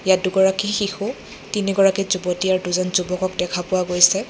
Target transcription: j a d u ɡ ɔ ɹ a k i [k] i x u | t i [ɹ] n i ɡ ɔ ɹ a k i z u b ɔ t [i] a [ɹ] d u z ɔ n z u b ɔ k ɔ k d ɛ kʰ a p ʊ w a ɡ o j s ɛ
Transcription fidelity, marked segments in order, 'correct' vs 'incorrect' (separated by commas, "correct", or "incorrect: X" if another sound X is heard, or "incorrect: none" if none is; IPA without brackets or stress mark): incorrect: x, incorrect: none, correct, correct